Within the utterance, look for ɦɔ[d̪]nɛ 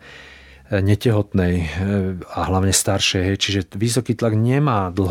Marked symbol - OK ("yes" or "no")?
no